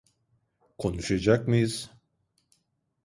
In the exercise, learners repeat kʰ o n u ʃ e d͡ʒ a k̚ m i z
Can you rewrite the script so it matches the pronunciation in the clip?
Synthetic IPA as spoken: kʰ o n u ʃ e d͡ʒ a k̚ m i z